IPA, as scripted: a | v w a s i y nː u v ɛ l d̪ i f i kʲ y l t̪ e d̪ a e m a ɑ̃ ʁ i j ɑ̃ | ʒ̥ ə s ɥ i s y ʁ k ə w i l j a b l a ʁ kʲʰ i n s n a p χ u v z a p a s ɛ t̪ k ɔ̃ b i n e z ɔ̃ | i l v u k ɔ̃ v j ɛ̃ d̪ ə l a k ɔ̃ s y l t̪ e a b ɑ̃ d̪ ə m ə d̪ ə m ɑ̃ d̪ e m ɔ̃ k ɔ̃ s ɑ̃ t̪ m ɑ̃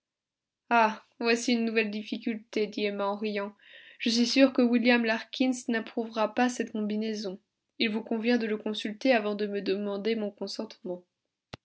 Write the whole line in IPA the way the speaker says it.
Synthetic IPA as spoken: a | v w a s i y nː u v ɛ l d̪ i f i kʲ y l t̪ e d̪ i e m a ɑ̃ ʁ i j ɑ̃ | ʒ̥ ə s ɥ i s y ʁ k ə w i l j a m l a ʁ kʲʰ i n s n a p χ u v ʁ a p a s ɛ t̪ k ɔ̃ b i n e z ɔ̃ | i l v u k ɔ̃ v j ɛ̃ d̪ ə l ə k ɔ̃ s y l t̪ e a v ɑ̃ d̪ ə m ə d̪ ə m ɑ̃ d̪ e m ɔ̃ k ɔ̃ s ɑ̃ t̪ m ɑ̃

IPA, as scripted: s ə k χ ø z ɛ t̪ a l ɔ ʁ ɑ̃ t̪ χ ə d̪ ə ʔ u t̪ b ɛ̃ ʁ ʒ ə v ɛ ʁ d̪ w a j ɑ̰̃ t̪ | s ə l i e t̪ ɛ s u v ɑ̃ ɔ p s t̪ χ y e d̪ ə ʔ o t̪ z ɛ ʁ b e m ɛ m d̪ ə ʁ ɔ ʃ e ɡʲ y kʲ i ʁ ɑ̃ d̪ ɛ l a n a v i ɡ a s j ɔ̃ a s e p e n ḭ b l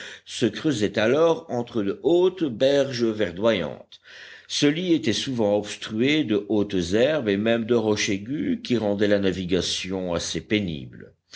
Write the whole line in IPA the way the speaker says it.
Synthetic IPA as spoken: s ə k χ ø z ɛ t̪ a l ɔ ʁ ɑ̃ t̪ χ ə d̪ ə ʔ o t̪ b ɛ ʁ ʒ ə v ɛ ʁ d̪ w a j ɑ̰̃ t̪ | s ə l i e t̪ ɛ s u v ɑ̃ ɔ p s t̪ χ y e d̪ ə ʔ o t̪ z ɛ ʁ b e m ɛ m d̪ ə ʁ ɔ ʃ e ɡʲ y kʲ i ʁ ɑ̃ d̪ ɛ l a n a v i ɡ a s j ɔ̃ a s e p e n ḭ b l

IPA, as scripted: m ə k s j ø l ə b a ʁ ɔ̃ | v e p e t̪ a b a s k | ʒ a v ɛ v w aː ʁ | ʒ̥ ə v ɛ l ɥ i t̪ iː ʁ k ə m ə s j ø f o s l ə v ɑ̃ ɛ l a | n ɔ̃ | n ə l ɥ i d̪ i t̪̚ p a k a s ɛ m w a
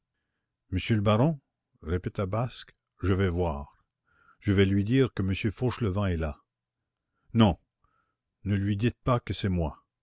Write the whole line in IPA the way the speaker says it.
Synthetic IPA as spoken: m ə s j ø l ə b a ʁ ɔ̃ | ʁ e p e t̪ a b a s k | ʒ ə v ɛ v w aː ʁ | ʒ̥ ə v ɛ l ɥ i d̪ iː ʁ k ə m ə s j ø f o ʃ l ə v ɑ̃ ɛ l a | n ɔ̃ | n ə l ɥ i d̪ i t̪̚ p a k ə s ɛ m w a

